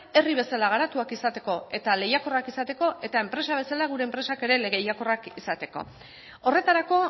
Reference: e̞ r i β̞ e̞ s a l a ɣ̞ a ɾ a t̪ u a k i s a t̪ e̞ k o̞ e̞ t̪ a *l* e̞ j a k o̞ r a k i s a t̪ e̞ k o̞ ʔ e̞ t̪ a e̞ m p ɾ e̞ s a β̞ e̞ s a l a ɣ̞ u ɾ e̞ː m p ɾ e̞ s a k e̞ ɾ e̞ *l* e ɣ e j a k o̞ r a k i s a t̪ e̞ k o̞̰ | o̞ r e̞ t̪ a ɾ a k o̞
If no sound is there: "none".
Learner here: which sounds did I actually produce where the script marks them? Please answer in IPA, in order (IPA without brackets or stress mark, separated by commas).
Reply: l, l